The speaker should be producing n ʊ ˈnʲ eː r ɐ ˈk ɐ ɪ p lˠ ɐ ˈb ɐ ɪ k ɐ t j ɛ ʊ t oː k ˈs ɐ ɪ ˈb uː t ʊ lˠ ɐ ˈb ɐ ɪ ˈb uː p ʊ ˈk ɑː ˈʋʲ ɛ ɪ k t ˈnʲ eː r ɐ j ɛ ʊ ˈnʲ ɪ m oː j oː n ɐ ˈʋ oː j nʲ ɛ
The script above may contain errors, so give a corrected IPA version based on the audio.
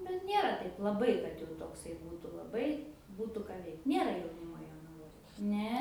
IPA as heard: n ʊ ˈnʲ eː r ɐ ˈt ɐ ɪ p lˠ ɐ ˈb ɐ ɪ k ɐ t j ɛ ʊ t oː k ˈs ɐ ɪ ˈb uː t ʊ lˠ ɐ ˈb ɐ ɪ ˈb uː t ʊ ˈk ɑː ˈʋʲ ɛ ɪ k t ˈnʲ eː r ɐ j ɛ ʊ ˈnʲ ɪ m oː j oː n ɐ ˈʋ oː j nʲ ɛ